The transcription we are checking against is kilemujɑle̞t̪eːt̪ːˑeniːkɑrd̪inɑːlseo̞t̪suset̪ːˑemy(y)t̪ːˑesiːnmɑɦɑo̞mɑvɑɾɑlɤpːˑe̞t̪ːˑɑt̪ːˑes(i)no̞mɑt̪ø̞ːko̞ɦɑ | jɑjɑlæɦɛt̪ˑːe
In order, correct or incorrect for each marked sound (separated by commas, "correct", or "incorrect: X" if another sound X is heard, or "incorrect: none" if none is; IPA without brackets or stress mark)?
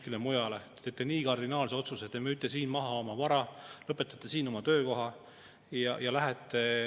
correct, incorrect: iː